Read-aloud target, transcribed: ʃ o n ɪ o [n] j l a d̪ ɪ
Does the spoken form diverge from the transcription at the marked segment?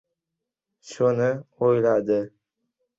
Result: yes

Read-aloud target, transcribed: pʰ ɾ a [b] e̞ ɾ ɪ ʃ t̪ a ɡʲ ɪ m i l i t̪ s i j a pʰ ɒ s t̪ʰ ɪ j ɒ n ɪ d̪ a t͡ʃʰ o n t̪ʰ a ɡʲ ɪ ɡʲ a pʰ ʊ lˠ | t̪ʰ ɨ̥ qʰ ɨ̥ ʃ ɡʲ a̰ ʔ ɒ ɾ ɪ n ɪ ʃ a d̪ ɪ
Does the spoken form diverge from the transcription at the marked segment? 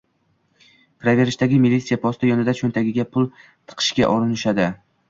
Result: yes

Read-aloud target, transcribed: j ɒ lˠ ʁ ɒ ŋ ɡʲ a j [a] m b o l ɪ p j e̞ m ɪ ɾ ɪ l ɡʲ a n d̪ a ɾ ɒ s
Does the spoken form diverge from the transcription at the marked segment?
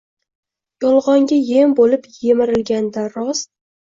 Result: yes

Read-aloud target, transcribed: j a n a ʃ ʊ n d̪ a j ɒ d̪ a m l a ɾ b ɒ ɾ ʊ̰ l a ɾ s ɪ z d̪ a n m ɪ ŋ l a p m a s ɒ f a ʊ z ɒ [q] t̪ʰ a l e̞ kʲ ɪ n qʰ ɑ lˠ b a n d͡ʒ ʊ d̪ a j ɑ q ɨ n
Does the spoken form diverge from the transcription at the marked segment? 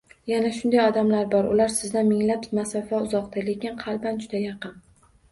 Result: no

